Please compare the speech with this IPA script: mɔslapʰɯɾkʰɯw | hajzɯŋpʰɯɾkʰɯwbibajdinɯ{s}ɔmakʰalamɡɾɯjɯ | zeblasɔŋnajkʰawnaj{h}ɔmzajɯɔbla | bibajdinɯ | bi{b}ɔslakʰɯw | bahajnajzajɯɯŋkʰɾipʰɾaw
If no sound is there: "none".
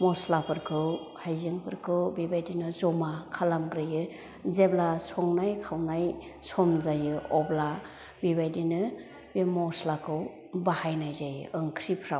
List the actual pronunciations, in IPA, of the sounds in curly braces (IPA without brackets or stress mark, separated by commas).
z, s, m